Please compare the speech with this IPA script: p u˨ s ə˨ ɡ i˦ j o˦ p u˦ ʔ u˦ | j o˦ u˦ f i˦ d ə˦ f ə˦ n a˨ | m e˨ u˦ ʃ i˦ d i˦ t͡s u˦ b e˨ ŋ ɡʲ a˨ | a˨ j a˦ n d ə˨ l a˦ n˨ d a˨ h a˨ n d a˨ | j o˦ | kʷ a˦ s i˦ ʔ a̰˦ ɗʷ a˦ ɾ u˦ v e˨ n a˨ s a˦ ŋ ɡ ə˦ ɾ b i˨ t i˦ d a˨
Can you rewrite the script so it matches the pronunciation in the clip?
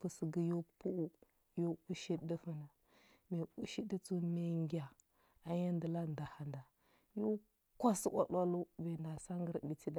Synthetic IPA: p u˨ s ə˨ ɡ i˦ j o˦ p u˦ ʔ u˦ | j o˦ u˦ ʃ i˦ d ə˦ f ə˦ n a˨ | m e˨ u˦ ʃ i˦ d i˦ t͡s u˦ m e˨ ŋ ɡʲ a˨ | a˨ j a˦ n d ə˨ l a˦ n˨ d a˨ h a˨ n d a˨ | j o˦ | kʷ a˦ s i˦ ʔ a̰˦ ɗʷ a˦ l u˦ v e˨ n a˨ s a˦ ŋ ɡ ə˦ ɾ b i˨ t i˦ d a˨